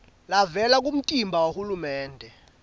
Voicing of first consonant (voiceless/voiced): voiced